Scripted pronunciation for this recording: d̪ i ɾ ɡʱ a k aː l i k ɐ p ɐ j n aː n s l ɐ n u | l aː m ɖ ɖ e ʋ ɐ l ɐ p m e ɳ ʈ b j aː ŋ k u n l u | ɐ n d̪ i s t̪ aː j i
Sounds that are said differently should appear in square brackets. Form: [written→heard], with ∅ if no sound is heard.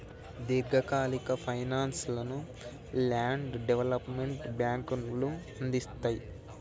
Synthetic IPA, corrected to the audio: d̪ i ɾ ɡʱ [a→ɐ] k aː l i k ɐ [p→pʰ] ɐ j n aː n s l ɐ n u | l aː [m→ɳ] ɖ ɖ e ʋ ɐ l ɐ p m e ɳ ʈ b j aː ŋ k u n l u | ɐ n d̪ i s t̪ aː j i